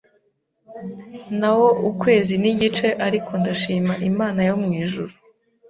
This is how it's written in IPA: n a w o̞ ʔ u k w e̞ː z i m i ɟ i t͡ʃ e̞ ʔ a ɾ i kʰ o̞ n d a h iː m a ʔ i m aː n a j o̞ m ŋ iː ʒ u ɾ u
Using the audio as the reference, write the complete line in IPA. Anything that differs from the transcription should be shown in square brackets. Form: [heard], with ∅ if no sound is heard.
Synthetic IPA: n a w o̞ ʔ u k w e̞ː z i [n] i ɟ i t͡ʃ e̞ ʔ a ɾ i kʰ o̞ n d a [ʃ] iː m a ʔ i m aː n a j o̞ m ŋ iː ʒ u ɾ u

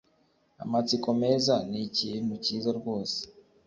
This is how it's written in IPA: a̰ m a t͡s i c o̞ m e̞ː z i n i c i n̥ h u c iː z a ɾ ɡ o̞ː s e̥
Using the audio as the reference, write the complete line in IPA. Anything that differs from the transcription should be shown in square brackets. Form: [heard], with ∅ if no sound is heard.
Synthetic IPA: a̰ m a t͡s i [k] o̞ m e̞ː z [a] n i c i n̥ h u c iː z a ɾ ɡ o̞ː s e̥

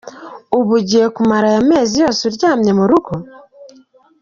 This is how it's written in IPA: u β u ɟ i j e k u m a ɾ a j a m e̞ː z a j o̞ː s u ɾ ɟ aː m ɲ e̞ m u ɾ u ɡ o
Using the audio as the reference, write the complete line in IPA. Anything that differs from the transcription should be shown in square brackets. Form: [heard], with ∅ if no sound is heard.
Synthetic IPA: u β u ɟ i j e k u m a ɾ a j a m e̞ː z [i] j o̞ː s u ɾ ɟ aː m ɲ e̞ m u ɾ u ɡ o

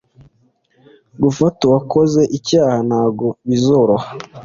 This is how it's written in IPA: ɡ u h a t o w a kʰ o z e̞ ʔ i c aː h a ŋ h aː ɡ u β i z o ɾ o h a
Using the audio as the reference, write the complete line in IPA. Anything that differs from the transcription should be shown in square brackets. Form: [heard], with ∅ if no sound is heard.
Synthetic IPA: ɡ u [f] a t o w a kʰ o z e̞ ʔ i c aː h a [n] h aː ɡ [o] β i z o ɾ o h a

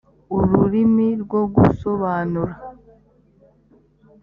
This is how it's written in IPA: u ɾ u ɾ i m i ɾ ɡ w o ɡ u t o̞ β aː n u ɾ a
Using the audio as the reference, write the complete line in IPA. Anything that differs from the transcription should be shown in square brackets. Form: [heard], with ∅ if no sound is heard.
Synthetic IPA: u ɾ u ɾ i m i ɾ ɡ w o ɡ u [s] o̞ β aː n u ɾ a

